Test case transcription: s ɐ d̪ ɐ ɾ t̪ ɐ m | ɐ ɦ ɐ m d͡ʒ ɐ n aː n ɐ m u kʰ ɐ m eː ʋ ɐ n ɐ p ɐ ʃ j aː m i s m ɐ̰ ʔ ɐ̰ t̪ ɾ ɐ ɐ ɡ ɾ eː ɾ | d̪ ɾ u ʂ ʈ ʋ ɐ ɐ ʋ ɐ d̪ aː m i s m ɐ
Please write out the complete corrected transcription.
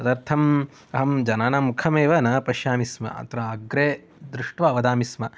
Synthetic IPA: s ɐ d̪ ɐ ɾ t̪ʰ ɐ m | ɐ ɦ ɐ m d͡ʒ ɐ n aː n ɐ m u kʰ ɐ m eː ʋ ɐ n ɐ p ɐ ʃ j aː m i s m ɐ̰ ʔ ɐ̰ t̪ ɾ ɐ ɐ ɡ ɾ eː | d̪ ɾ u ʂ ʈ ʋ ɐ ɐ ʋ ɐ d̪ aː m i s m ɐ